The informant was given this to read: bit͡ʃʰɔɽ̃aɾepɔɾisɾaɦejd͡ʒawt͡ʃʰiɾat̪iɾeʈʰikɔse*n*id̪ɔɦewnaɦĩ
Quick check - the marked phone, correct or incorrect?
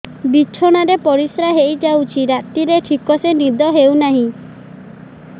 correct